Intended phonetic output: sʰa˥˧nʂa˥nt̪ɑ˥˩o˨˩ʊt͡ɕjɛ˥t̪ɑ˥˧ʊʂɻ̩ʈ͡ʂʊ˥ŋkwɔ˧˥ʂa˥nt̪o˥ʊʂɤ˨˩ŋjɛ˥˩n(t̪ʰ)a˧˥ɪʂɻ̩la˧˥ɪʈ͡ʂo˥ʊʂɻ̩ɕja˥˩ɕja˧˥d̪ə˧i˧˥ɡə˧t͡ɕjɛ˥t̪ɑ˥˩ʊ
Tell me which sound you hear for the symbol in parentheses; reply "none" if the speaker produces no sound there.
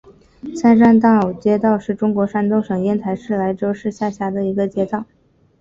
t̪ʰ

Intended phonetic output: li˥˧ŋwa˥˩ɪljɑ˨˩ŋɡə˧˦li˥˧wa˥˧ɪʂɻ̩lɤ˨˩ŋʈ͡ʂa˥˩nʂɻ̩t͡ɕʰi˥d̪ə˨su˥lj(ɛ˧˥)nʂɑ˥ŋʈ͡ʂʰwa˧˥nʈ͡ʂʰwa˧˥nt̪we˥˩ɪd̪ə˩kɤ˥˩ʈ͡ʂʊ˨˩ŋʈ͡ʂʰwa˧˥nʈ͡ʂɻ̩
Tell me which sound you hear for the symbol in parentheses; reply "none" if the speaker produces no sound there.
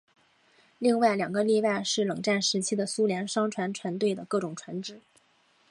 ɛ˧˥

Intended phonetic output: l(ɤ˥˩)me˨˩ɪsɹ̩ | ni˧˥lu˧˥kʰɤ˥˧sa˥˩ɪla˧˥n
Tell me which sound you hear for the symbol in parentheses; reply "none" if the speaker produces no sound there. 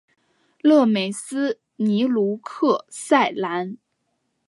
ɤ˥˩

